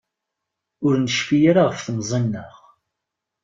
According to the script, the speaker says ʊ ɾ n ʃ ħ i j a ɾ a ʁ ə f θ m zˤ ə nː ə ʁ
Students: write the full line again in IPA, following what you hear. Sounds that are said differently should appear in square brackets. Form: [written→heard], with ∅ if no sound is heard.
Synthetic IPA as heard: ʊ ɾ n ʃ [ħ→f] i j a ɾ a ʁ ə f θ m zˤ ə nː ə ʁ